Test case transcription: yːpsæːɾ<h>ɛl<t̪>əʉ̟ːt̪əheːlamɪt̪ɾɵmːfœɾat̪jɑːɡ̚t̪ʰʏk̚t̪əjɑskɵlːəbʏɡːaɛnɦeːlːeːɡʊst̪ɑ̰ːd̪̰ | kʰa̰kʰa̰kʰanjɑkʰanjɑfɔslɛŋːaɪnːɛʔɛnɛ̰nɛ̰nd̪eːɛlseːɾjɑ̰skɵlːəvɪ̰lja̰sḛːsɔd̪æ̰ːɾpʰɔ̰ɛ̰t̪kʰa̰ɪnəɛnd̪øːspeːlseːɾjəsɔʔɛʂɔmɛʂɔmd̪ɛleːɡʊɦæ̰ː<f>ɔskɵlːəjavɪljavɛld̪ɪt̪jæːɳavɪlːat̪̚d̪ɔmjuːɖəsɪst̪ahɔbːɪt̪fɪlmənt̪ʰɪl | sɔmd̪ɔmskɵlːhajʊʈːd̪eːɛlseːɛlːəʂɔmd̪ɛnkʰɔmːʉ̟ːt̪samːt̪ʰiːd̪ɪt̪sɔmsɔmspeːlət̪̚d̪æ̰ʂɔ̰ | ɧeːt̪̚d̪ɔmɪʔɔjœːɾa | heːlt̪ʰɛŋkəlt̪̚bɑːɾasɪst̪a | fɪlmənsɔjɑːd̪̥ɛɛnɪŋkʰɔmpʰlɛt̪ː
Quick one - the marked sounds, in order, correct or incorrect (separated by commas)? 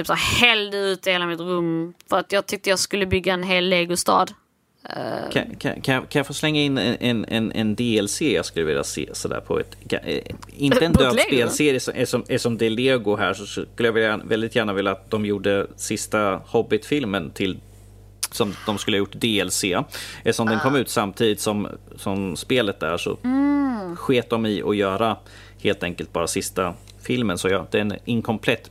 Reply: correct, incorrect, incorrect